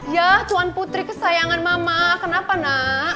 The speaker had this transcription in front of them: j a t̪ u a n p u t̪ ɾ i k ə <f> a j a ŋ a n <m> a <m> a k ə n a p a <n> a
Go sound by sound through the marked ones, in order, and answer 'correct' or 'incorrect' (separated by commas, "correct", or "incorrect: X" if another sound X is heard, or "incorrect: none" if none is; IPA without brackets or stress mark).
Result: incorrect: s, correct, correct, correct